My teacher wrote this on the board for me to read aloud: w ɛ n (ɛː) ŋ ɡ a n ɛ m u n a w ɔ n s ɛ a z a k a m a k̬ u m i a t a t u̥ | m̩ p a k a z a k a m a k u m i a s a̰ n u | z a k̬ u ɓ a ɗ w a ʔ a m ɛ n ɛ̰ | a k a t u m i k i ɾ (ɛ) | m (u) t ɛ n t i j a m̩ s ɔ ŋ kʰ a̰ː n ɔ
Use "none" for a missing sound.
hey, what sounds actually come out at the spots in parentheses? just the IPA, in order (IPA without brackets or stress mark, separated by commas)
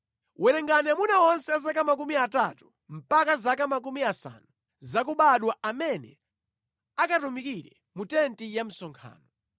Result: ɛ, ɛ, u